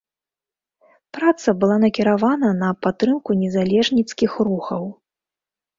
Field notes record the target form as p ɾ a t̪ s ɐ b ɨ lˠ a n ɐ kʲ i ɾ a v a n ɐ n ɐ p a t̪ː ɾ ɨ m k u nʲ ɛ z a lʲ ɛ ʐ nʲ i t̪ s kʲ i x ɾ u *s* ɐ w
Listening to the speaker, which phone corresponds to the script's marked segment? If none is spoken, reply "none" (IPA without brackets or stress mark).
x